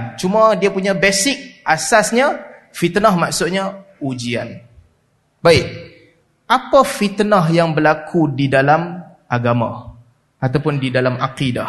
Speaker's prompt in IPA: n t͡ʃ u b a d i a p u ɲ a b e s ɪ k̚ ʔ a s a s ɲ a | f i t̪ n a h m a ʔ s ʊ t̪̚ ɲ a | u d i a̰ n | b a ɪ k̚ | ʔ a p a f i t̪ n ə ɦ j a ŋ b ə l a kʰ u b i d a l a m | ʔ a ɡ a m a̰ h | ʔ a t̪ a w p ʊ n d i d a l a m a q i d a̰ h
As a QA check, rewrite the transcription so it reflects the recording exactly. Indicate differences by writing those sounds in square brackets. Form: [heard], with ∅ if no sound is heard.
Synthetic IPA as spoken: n t͡ʃ u [m] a d i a p u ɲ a b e s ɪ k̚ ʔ a s a s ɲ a | f i t̪ n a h m a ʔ s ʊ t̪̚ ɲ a | u [d͡ʒ] i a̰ n | b a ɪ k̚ | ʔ a p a f i t̪ n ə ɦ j a ŋ b ə l a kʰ u [d] i d a l a m | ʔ a ɡ a m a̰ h | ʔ a t̪ a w p ʊ n d i d a l a m a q i d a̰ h